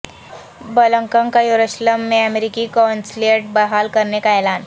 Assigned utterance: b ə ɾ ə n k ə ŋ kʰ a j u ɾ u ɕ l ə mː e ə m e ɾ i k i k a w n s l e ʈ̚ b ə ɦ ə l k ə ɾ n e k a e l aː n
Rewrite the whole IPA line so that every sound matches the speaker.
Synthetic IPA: b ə l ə ŋ k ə ŋ k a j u ɾ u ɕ l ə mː e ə m e ɾ i k i k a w n s l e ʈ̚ b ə ɦ a l k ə ɾ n e k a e l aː n